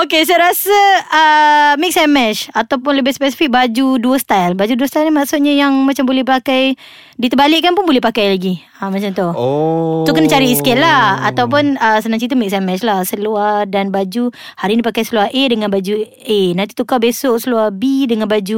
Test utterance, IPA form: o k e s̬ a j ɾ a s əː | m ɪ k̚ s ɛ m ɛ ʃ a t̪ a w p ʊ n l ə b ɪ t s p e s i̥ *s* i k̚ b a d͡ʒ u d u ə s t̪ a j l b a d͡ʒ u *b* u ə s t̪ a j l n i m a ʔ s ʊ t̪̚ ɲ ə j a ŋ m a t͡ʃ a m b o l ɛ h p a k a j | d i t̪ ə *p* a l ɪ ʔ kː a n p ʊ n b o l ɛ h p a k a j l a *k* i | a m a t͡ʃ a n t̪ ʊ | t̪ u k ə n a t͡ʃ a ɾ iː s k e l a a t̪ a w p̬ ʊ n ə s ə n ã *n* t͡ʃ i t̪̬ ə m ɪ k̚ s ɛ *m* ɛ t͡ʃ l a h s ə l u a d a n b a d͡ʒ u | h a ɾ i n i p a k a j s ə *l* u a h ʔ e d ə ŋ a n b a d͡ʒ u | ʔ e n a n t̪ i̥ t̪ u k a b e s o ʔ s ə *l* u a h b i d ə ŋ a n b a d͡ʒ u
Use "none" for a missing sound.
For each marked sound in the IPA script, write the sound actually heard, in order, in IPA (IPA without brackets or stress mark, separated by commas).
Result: f, d, b, ɡ, ŋ, m, l, l